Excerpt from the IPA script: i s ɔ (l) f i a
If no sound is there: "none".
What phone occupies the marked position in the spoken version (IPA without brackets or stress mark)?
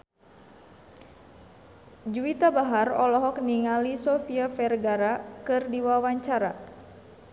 none